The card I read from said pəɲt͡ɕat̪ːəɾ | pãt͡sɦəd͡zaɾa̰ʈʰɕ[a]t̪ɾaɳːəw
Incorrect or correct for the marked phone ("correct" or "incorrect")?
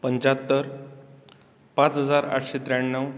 incorrect